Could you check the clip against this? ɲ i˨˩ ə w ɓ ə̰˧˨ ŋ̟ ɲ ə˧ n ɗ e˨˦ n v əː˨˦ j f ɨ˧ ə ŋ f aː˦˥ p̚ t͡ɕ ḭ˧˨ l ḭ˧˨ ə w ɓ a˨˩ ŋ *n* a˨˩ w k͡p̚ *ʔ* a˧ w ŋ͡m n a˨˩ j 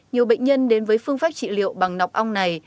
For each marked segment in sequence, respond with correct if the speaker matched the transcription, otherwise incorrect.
correct, correct

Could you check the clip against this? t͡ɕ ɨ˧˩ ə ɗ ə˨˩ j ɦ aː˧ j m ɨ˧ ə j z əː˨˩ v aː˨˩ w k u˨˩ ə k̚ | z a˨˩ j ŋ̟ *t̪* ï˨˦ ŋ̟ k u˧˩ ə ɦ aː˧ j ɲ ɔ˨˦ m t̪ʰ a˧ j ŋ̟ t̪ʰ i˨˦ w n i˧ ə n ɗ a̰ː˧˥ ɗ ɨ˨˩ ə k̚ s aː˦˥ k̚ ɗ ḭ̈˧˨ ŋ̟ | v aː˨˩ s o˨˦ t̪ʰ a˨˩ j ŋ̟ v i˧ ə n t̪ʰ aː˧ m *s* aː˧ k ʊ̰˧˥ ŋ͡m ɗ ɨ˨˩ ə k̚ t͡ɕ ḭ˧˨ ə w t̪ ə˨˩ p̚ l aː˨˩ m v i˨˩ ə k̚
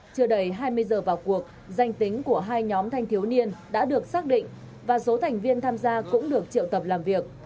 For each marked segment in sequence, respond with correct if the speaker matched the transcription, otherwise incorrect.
correct, incorrect

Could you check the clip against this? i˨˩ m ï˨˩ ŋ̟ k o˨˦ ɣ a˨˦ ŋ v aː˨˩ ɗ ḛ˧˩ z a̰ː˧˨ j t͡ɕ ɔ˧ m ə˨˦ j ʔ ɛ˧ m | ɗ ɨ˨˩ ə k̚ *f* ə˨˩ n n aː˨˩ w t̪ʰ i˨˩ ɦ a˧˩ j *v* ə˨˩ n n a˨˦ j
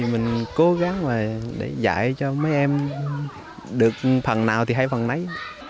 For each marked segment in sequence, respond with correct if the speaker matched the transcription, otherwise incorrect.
correct, incorrect

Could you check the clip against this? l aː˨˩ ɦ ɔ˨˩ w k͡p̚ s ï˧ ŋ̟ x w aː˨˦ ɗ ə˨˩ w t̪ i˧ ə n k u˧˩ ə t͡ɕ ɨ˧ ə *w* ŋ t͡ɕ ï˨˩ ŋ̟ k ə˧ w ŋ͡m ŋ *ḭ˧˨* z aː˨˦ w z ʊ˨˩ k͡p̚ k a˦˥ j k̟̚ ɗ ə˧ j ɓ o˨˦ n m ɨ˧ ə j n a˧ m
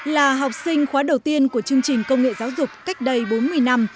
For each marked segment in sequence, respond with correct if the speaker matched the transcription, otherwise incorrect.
incorrect, incorrect

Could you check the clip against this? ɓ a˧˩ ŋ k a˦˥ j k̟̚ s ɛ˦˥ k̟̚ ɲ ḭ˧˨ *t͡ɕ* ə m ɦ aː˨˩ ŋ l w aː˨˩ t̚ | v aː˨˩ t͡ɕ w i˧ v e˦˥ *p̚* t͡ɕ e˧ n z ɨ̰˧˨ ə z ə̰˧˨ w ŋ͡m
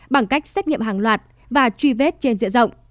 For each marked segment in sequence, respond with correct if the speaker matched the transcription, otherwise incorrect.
incorrect, incorrect

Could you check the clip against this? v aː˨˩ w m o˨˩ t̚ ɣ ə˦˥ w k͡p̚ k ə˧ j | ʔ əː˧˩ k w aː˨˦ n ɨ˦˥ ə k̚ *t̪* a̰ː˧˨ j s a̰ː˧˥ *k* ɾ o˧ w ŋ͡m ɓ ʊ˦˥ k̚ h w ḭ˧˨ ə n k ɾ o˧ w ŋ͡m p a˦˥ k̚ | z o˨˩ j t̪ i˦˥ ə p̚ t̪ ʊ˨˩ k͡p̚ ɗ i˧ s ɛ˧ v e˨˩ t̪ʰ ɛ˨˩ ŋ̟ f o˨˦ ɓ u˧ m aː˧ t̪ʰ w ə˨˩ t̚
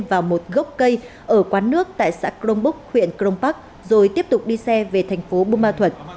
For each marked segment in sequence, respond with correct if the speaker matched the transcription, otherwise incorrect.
correct, correct

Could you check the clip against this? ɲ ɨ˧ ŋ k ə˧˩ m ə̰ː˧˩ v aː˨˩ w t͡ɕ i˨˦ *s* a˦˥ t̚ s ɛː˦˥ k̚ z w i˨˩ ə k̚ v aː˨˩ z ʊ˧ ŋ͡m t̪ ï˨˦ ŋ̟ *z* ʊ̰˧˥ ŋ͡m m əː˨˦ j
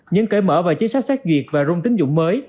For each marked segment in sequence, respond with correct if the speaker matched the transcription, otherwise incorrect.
correct, correct

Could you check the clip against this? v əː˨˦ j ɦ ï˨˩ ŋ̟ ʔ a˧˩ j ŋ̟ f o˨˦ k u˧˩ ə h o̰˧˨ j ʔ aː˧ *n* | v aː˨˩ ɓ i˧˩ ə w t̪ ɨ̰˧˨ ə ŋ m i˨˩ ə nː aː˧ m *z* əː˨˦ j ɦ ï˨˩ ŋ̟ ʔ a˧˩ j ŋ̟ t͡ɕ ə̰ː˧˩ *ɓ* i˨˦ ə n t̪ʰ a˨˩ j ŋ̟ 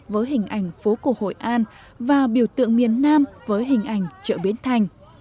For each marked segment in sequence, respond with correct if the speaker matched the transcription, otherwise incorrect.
correct, incorrect, correct

